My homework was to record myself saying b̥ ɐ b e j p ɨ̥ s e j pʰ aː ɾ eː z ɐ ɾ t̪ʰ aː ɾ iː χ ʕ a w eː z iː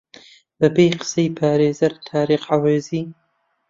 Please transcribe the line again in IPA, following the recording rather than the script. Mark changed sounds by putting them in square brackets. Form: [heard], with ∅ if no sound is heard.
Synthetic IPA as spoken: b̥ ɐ b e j [q] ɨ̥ s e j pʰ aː ɾ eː z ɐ ɾ t̪ʰ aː ɾ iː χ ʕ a w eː z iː